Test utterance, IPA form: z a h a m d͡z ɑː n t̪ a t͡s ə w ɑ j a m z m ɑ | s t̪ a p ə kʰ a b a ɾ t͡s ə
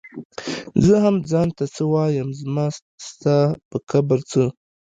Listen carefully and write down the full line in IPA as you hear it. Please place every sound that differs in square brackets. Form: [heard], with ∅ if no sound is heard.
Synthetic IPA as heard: z [ə] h a m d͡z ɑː n t̪ a t͡s ə w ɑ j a m z m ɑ | s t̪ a p ə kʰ a b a ɾ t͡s ə